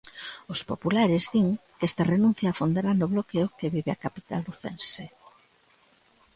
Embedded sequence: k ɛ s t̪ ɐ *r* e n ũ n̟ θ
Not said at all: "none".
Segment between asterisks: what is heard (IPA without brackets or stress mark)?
r